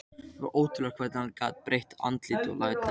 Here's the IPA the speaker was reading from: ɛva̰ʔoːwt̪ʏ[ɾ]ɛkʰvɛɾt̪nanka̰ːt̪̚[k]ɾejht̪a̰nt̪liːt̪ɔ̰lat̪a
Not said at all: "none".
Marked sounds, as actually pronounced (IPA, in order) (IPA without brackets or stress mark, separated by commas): l, p